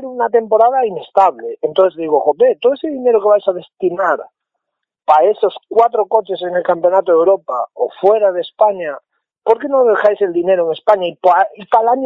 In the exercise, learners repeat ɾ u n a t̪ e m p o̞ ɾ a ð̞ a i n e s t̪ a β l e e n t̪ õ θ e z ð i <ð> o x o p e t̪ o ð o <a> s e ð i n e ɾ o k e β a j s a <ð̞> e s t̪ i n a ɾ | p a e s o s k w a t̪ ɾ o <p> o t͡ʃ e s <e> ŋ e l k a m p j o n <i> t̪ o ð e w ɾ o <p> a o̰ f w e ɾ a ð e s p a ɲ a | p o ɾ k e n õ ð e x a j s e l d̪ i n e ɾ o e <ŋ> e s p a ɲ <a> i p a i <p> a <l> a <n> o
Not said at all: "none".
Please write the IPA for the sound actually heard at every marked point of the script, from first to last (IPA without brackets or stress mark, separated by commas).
ɣ, e, ð̞, k, e, a, p, ŋ, a, p, l, ɲ